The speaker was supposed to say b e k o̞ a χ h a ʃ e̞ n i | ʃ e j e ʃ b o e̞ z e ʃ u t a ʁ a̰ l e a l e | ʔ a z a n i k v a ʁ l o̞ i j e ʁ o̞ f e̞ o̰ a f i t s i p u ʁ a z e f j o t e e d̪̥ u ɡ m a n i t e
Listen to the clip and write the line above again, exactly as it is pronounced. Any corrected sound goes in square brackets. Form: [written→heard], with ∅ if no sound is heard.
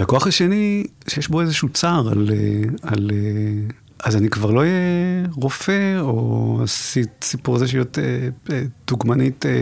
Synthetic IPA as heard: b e k o̞ a χ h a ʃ e̞ n i | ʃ e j e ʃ b o e̞ z e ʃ u [t→t͡s] a ʁ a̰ l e a l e | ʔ a z a n i k v a ʁ l o̞ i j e ʁ o̞ f e̞ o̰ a [f→s] i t s i p u ʁ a z e [f→ʃ] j o t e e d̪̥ u ɡ m a n i t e